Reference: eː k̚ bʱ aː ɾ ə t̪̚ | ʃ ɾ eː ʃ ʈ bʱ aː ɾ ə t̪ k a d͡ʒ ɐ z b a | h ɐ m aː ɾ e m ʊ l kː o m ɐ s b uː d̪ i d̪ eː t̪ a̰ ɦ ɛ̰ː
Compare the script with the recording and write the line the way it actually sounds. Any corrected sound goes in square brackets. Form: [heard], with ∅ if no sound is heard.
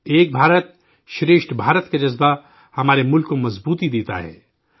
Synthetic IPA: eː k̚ bʱ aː ɾ ə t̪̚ | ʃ ɾ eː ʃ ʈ bʱ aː ɾ ə t̪ k a d͡ʒ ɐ z b a | h ɐ m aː ɾ e m ʊ l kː o m ɐ [z] b uː [t̪] i d̪ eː t̪ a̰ ɦ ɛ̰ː